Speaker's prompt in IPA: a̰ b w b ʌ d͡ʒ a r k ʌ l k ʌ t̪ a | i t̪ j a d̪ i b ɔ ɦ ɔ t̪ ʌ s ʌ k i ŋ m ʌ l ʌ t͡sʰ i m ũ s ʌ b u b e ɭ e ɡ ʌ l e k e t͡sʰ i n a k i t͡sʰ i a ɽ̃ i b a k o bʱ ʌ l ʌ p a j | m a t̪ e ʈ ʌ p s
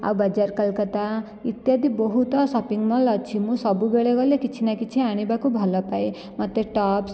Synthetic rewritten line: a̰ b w b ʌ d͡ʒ a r k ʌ l k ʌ t̪ a | i t̪ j a d̪ i b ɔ ɦ u t̪ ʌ s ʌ p i ŋ m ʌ l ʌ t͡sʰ i m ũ s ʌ b u b e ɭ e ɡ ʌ l e k i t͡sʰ i n a k i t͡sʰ i a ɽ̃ i b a k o bʱ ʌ l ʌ p a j | m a t̪ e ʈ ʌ p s

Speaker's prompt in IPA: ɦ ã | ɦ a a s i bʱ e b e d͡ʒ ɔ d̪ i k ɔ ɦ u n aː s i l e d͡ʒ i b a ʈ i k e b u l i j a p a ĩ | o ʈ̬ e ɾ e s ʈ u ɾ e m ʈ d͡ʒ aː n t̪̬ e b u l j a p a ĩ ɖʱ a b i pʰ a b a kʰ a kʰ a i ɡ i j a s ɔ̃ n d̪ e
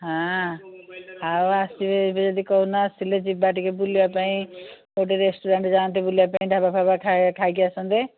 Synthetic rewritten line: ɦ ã | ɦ a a s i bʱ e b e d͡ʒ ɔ d̪ i k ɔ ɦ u n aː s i l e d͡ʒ i b a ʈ i k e b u l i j a p a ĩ | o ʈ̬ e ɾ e s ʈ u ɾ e ɳ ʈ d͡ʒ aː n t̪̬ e b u l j a p a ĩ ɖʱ a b a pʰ a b a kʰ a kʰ a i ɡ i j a s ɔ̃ n d̪ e

